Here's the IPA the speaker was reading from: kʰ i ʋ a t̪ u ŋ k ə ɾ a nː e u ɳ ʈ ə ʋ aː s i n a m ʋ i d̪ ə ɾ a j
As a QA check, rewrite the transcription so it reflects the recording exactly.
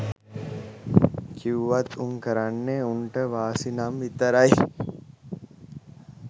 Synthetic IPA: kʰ i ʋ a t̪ u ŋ k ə ɾ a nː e u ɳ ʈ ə ʋ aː s i n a m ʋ i t̪ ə ɾ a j